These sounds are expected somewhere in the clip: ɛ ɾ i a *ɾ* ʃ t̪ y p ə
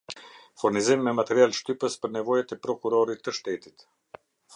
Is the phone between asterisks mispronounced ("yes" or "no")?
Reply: yes